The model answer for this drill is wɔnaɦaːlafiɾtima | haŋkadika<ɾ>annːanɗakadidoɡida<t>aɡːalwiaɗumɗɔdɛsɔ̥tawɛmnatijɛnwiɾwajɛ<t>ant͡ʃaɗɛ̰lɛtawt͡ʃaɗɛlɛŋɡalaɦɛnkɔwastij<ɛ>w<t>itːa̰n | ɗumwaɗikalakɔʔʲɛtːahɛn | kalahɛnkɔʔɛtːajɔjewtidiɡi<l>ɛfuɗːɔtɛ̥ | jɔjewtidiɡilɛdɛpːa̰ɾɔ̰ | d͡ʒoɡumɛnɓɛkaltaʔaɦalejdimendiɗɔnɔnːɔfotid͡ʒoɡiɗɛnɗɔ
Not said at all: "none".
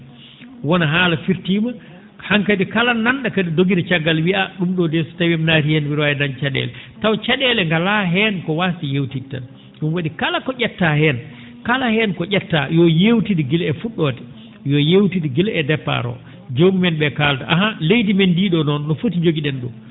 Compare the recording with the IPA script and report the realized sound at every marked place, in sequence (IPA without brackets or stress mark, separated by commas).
l, t͡ʃ, d, e, t, l